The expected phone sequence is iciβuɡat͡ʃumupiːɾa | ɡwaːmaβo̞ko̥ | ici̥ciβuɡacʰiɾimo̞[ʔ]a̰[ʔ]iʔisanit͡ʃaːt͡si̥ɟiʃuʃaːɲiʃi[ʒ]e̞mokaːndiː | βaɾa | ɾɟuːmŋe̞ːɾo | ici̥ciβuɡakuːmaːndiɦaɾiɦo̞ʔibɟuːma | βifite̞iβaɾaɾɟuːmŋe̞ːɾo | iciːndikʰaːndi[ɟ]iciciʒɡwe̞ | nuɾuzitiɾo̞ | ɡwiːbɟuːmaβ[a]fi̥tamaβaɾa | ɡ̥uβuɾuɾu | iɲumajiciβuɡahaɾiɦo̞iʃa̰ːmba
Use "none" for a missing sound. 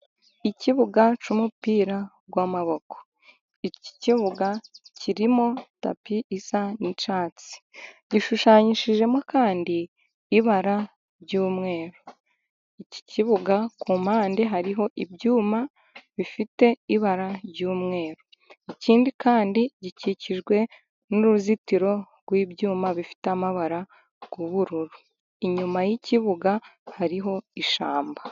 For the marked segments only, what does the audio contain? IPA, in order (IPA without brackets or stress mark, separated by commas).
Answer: t, p, ʒ, ɟ, i